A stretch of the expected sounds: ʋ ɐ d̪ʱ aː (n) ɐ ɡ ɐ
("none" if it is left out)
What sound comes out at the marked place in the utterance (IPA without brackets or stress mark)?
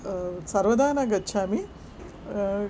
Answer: n